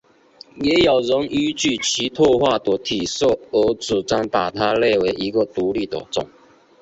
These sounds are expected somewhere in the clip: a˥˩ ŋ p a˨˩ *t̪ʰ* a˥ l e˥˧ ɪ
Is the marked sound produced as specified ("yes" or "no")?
yes